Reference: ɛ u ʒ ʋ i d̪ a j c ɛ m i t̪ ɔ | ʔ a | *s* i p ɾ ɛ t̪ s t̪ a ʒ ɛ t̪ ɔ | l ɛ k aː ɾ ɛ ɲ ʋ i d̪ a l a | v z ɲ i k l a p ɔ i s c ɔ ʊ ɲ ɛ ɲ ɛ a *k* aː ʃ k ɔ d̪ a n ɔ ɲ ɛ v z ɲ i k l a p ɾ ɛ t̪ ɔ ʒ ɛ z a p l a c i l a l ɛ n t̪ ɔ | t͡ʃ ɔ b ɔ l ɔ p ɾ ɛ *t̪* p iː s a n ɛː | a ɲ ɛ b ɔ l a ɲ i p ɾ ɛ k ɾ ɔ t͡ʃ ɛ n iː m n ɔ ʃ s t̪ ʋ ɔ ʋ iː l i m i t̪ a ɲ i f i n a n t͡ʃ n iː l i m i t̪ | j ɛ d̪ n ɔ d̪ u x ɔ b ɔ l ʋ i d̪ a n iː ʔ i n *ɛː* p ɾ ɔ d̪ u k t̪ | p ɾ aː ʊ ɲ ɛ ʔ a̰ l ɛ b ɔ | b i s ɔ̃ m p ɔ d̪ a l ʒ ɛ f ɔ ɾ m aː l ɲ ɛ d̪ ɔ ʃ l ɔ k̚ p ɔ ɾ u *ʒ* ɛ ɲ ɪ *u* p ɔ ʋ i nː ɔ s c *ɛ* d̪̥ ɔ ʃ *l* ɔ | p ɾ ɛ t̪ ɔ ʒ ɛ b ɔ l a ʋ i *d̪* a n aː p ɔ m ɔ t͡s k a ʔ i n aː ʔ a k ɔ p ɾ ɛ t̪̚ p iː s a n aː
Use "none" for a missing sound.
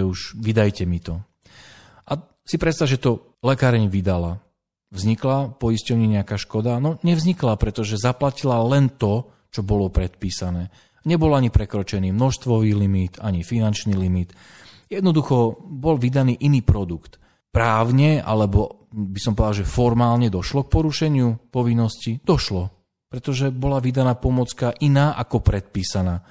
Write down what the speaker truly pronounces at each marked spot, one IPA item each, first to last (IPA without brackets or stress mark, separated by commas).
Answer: s, k, t̪, iː, ʃ, u, i, l, d̪